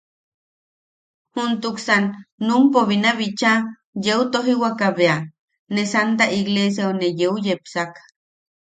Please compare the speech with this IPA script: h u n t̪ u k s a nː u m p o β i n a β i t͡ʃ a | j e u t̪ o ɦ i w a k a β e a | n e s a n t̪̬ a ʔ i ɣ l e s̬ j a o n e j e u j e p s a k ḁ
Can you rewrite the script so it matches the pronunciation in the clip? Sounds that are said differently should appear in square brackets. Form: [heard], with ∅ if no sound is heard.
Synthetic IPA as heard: h u n t̪ u k s a nː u m p o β i n a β i t͡ʃ a | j e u t̪ o ɦ i w a k a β e a | n e s a n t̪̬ a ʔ i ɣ l e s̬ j a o n e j e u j e p s a k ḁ

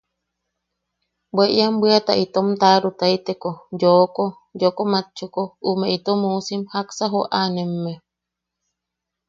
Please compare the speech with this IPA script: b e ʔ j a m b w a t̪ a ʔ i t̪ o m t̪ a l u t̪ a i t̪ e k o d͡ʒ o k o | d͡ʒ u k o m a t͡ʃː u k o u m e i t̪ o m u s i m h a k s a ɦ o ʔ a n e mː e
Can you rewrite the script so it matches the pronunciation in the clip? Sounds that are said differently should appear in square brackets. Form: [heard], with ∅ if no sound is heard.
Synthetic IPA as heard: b e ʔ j a m b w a t̪ a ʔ i t̪ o m t̪ a [ɾ] u t̪ a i t̪ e k o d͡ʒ o k o | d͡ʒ [o] k o m a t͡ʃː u k o u m e i t̪ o m u s i m h a k s a ɦ o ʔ a n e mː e

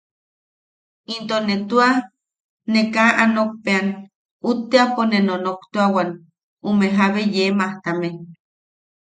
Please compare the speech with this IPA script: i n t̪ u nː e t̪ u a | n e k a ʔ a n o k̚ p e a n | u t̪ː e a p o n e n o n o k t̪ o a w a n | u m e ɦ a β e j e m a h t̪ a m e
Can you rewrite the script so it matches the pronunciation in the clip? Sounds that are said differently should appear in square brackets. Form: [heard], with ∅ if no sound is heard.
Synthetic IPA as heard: i n t̪ [o] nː e t̪ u a | n e k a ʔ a n o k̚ p e a n | u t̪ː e a p o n e n o n o k t̪ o a w a n | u m e ɦ a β e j e m a h t̪ a m e

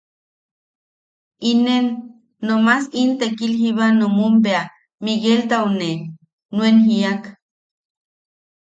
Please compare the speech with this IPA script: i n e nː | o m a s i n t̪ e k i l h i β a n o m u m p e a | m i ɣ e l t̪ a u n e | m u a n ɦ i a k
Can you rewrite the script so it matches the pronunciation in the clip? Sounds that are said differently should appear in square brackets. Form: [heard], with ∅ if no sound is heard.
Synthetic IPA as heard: i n e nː | o m a s i n t̪ e k i l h i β a n o m u m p e a | m i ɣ e l t̪ a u n e | [n] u [e] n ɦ i a k

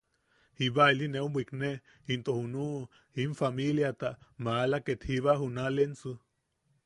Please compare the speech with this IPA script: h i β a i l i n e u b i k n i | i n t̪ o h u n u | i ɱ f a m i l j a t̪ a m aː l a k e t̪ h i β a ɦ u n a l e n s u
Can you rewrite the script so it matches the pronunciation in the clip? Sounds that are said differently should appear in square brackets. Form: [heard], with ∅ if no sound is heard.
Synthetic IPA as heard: h i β a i l i n e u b i k n [e] | i n t̪ o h u n u | i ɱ f a m i l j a t̪ a m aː l a k e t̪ h i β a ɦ u n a l e n s u

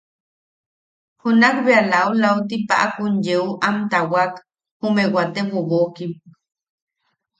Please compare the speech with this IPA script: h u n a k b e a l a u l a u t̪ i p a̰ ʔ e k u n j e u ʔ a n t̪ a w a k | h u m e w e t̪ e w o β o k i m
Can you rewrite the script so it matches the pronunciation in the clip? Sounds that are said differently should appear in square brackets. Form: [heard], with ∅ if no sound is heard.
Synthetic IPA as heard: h u n a k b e a l a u l a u t̪ i p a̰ ʔ [a] k u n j e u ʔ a [m] t̪ a w a k | h u m e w [a] t̪ e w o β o k i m

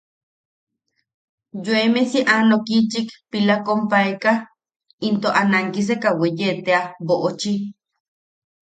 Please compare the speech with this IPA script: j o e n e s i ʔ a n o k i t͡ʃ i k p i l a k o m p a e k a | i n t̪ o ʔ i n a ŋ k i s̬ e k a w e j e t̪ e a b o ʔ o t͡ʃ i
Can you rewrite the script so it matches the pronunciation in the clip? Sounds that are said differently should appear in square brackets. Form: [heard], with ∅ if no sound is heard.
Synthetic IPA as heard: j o e [m] e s i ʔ a n o k i t͡ʃ i k p i l a k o m p a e k a | i n t̪ o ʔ [a] n a ŋ k i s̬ e k a w e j e t̪ e a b o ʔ o t͡ʃ i

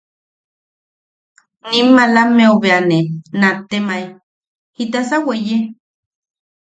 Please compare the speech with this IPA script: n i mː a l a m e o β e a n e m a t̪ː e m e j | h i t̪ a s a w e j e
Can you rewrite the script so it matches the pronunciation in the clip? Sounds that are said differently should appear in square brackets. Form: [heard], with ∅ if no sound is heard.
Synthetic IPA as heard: n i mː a l a m e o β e a n e [n] a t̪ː e m [a] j | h i t̪ a s a w e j e

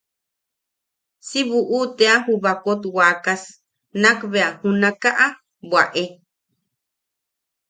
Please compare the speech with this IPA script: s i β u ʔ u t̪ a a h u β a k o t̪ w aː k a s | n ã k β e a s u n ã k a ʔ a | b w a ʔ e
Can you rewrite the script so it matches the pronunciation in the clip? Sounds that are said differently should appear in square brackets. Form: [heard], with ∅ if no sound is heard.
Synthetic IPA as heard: s i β u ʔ u t̪ [e] a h u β a k o t̪ w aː k a s | n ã k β e a [h] u n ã k a ʔ a | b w a ʔ e

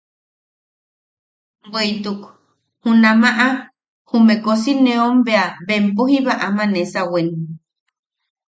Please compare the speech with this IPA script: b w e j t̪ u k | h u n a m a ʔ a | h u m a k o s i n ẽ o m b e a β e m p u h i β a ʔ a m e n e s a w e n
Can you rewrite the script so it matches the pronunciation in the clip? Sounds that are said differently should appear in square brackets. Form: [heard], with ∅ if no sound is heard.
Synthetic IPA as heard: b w e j t̪ u k | h u n a m a ʔ a | h u m [e] k o s i n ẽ o m b e a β e m p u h i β a ʔ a m [a] n e s a w e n

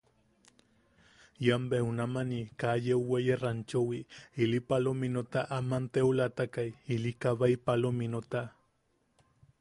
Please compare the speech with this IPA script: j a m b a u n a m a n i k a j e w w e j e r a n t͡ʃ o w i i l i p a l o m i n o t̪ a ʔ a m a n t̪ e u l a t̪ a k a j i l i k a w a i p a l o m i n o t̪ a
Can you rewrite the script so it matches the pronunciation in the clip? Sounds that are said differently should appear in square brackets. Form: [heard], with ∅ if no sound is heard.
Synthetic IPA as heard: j a m b [e] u n a m a n i k a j e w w e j e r a n t͡ʃ o w i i l i p a l o m i n o t̪ a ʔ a m a n t̪ e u l a t̪ a k a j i l i k a [β] a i p a l o m i n o t̪ a

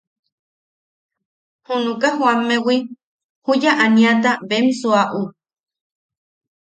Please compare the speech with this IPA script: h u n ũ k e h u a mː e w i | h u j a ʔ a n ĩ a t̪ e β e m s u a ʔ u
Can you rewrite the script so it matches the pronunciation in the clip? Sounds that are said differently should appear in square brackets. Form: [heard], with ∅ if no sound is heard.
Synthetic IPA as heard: h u n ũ k [a] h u a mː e w i | h u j a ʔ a n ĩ a t̪ [a] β e m s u a ʔ u

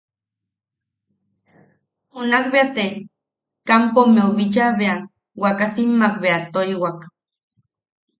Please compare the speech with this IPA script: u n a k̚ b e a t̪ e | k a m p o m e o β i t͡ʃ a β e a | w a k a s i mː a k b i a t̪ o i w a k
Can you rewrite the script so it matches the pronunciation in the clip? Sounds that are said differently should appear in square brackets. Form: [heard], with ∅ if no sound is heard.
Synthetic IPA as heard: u n a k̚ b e a t̪ e | k a m p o m e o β i t͡ʃ a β e a | w a k a s i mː a k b [e] a t̪ o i w a k

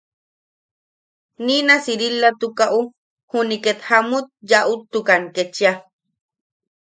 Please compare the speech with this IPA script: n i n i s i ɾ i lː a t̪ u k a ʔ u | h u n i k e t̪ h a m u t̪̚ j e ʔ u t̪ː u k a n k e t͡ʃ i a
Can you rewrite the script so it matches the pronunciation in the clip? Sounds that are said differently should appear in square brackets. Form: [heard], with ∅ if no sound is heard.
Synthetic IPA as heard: n i n [a] s i ɾ i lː a t̪ u k a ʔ u | h u n i k e t̪ h a m u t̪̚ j [a] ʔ u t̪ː u k a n k e t͡ʃ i a

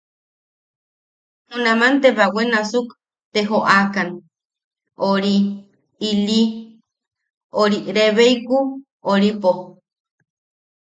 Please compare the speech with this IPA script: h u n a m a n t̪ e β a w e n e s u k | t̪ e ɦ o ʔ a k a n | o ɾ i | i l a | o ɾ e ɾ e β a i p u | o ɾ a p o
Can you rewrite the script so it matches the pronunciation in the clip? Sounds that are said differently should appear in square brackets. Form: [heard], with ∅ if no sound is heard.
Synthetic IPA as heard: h u n a m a n t̪ e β a w e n [a] s u k | t̪ e ɦ o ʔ a k a n | o ɾ i | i l [i] | o ɾ [i] ɾ e β [e] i [k] u | o ɾ [i] p o

